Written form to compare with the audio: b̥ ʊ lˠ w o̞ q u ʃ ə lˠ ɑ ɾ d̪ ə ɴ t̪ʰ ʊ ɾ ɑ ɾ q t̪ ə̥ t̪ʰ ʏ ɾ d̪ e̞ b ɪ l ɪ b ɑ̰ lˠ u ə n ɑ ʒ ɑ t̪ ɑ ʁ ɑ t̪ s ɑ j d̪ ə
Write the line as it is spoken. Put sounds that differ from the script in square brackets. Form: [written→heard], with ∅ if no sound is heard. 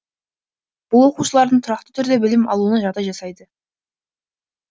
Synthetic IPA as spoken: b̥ ʊ lˠ w o̞ q u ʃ ə lˠ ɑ ɾ d̪ ə ɴ t̪ʰ ʊ ɾ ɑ [ɾ→∅] q t̪ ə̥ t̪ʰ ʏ ɾ d̪ e̞ b ɪ l ɪ [b→m] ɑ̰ lˠ u ə n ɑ ʒ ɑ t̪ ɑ [ʁ→ʒ] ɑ [t̪→∅] s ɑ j d̪ ə